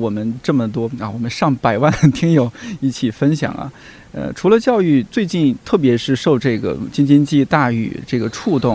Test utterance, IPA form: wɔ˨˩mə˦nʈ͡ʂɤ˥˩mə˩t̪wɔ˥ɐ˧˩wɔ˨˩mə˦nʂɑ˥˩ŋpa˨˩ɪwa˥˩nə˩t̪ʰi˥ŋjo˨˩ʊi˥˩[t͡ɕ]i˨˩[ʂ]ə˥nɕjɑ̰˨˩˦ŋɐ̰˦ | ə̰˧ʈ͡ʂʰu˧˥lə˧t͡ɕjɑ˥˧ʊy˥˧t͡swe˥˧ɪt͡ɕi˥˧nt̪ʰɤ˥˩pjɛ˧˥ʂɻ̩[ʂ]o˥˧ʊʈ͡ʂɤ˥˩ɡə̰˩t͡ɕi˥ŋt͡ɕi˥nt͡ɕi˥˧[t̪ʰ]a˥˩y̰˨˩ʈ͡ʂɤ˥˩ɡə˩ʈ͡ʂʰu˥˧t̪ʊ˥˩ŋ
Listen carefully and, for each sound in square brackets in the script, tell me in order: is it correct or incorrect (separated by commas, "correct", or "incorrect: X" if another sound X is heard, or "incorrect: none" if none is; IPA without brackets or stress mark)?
incorrect: t͡ɕʰ, incorrect: f, correct, incorrect: t̪